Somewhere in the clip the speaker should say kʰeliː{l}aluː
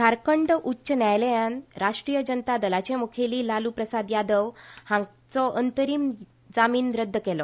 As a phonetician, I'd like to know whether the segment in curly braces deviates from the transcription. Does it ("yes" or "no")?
no